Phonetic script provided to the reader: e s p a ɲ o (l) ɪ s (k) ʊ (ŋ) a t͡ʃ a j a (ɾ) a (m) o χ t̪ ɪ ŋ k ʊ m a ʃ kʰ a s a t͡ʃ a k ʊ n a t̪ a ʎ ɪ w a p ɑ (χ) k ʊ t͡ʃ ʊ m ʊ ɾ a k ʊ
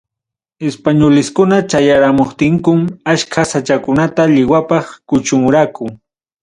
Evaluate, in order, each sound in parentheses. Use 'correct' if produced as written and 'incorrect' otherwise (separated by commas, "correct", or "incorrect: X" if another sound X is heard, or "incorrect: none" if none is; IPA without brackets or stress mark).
correct, correct, incorrect: n, correct, correct, correct